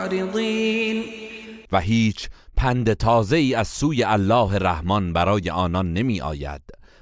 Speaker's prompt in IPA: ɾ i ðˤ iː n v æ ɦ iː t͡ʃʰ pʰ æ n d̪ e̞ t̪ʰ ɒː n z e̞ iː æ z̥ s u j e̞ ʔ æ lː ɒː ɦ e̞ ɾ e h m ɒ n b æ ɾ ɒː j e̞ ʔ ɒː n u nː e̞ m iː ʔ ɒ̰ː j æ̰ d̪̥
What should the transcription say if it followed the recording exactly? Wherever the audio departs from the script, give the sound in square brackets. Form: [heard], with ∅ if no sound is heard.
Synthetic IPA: ɾ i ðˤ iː n v æ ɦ iː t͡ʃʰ pʰ æ n d̪ e̞ t̪ʰ ɒː [∅] z e̞ iː æ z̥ s [uː] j e̞ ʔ æ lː ɒː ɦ e̞ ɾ [æ] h m ɒ n b æ ɾ ɒː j e̞ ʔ ɒː n [ɒ] nː e̞ m iː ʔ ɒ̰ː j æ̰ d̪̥